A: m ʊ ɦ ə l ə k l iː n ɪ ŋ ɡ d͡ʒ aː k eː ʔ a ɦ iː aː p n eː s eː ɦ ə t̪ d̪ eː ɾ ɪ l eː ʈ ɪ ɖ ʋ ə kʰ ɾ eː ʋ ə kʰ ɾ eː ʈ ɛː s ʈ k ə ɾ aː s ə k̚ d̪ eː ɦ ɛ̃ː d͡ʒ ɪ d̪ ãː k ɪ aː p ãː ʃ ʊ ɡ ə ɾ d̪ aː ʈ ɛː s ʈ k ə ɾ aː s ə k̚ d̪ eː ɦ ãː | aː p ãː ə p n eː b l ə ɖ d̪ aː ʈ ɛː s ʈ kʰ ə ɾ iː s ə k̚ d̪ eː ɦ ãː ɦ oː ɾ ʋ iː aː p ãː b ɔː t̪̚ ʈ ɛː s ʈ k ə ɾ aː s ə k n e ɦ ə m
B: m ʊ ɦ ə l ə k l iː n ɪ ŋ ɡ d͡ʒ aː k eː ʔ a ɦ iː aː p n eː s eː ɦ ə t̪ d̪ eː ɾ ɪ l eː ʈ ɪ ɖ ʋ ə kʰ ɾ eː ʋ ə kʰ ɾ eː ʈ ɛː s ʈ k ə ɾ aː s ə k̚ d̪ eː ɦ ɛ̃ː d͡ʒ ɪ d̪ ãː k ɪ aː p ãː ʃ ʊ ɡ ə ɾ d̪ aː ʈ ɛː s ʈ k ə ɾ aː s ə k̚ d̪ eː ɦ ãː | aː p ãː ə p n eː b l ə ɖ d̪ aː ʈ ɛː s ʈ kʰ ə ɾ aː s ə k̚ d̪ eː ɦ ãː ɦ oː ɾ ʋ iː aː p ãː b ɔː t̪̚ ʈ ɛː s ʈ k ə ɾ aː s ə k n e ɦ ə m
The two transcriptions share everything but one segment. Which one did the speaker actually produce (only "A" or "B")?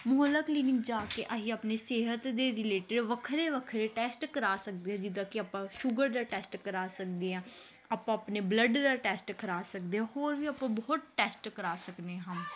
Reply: B